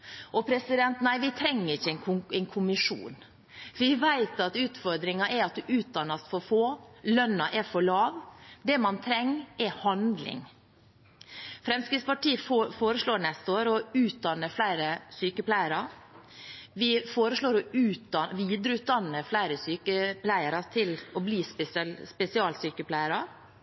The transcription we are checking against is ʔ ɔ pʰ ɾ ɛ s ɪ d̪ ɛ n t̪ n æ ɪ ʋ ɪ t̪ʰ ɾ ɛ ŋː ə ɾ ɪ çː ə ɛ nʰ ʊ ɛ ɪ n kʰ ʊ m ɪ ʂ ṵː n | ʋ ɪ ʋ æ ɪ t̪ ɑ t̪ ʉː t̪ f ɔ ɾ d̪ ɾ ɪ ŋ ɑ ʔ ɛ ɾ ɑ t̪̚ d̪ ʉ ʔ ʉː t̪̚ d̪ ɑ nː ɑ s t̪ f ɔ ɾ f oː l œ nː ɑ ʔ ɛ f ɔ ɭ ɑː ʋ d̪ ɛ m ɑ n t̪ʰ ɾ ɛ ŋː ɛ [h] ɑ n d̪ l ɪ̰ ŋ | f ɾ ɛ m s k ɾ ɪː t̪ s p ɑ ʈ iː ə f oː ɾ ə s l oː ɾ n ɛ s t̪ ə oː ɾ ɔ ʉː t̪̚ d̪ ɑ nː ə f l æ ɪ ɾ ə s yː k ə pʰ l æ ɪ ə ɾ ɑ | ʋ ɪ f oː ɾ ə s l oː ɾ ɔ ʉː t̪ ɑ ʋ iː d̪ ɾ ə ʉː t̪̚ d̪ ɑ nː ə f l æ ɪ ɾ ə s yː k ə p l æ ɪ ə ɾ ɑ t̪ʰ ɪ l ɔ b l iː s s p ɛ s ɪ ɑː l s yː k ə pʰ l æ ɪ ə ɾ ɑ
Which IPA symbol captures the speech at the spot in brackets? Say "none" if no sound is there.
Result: h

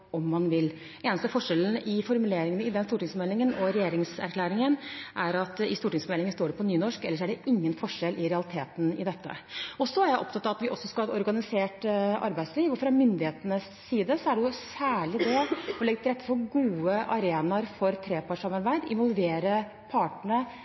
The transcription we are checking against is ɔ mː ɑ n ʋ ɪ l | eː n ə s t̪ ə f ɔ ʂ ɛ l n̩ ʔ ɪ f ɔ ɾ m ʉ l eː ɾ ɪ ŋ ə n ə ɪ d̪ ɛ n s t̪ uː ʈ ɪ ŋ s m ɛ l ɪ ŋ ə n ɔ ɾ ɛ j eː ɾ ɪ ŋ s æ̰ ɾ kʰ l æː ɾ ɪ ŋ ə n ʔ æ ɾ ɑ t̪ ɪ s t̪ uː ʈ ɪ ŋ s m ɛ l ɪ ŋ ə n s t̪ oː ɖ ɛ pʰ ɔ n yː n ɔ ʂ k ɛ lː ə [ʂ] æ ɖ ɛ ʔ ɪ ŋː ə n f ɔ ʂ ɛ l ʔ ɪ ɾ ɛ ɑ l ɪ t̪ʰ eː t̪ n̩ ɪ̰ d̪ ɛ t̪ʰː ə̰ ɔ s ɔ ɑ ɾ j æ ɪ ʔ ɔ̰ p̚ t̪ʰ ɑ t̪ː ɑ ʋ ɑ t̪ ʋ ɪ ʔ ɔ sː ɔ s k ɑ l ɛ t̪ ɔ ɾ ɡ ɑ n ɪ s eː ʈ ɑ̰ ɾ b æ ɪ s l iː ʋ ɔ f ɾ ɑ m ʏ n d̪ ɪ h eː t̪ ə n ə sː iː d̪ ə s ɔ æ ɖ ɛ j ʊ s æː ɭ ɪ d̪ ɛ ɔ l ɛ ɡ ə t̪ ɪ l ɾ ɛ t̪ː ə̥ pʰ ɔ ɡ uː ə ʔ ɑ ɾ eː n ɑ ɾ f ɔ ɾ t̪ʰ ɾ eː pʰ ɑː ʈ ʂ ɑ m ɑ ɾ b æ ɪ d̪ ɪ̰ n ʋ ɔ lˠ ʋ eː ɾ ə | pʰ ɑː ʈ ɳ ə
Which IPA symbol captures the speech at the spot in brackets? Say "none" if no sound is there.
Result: ʂ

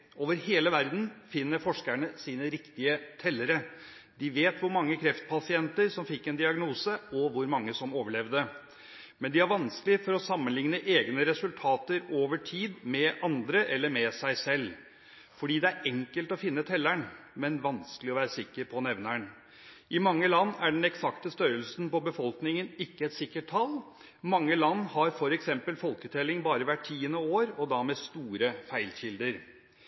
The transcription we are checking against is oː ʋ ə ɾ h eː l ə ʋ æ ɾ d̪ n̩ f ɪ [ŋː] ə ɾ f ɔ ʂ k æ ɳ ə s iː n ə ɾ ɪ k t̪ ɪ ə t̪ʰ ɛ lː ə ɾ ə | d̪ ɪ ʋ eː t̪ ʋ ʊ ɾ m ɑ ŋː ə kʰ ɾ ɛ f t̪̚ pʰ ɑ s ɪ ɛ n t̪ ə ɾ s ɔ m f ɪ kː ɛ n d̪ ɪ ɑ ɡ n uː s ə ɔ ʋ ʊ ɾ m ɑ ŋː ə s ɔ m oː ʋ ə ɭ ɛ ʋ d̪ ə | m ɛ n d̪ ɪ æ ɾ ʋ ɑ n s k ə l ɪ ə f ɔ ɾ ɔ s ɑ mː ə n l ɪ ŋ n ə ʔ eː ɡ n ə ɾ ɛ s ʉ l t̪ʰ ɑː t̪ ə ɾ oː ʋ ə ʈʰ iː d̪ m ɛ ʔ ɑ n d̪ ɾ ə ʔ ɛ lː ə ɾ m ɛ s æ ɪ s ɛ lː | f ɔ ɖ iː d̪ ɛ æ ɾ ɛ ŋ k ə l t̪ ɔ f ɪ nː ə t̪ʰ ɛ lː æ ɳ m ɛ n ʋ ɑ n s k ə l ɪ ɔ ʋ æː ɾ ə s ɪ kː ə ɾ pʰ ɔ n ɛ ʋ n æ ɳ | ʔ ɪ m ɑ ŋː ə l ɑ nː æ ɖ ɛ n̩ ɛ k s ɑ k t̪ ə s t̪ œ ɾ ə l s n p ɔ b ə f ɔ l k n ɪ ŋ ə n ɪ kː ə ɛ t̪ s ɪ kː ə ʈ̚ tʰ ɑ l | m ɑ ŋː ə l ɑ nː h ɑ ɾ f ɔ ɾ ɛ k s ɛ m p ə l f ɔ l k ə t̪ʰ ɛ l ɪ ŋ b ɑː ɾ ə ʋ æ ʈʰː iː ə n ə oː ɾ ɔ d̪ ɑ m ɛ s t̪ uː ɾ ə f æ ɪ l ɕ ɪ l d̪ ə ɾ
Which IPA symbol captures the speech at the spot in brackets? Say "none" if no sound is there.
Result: nː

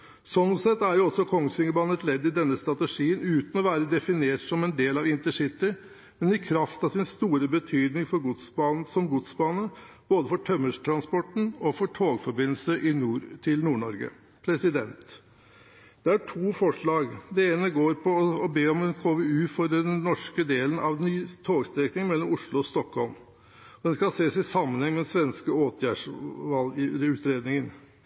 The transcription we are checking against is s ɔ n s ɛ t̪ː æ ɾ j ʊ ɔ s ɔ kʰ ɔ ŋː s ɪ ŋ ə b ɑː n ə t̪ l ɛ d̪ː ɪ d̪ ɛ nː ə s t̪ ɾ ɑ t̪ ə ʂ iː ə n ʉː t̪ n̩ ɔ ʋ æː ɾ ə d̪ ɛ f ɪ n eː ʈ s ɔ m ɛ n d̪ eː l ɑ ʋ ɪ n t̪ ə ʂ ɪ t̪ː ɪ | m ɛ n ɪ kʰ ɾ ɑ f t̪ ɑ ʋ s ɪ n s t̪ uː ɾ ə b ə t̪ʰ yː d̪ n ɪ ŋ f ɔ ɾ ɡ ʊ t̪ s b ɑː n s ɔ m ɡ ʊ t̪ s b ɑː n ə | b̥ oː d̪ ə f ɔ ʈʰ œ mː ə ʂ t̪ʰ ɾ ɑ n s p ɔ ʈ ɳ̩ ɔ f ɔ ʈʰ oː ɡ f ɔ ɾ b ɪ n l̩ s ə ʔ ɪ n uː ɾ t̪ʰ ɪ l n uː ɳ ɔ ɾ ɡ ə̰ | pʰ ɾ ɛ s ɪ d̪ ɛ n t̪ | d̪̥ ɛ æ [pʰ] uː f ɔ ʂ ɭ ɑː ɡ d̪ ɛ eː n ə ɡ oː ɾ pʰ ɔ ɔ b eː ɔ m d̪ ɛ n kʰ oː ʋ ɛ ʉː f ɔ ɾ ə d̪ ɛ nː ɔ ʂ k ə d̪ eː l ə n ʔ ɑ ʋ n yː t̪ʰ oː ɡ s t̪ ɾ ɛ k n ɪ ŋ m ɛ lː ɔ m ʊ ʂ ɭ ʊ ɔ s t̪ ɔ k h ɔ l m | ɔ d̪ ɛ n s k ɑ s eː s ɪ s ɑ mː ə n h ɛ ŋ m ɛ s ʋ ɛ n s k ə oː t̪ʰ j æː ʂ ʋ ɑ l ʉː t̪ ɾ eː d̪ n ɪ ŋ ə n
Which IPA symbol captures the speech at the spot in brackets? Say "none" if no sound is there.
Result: ʈʰ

